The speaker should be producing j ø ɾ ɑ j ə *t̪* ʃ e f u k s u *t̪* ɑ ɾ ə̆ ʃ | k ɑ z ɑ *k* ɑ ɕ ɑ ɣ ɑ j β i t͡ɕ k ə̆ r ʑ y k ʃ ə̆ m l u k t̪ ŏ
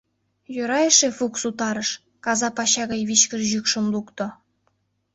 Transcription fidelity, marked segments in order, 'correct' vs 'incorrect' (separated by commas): incorrect, correct, incorrect